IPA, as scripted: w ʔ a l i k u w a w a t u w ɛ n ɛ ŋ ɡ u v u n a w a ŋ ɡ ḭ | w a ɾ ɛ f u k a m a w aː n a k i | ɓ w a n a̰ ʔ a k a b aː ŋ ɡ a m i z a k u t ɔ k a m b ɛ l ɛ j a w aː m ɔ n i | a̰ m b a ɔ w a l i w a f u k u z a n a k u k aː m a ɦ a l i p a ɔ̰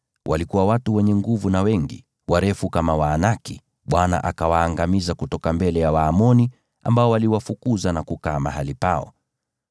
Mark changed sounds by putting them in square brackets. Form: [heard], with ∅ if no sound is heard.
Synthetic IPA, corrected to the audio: w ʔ a l i k u w a w a t u w ɛ [ɲ] ɛ ŋ ɡ u v u n a w [ɛ] ŋ ɡ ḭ | w a ɾ ɛ f u k a m a w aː n a k i | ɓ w a n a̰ ʔ a k a [w] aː ŋ ɡ a m i z a k u t ɔ k a m b ɛ l ɛ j a w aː m ɔ n i | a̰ m b a ɔ w a l i w a f u k u z a n a k u k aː m a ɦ a l i p a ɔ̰